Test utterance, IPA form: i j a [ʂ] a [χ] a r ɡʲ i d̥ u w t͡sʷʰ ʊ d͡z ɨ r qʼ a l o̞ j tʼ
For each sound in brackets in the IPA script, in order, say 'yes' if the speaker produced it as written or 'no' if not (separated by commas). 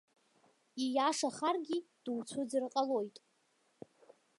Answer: yes, yes